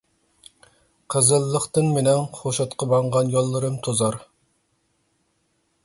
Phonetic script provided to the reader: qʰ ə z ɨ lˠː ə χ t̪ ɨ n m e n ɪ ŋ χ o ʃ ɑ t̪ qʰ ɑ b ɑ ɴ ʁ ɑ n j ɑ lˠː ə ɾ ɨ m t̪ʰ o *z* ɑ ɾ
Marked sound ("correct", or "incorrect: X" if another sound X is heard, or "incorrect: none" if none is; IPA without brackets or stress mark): correct